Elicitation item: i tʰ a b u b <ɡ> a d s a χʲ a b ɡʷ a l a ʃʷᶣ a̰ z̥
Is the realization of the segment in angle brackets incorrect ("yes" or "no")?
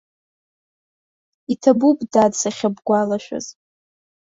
yes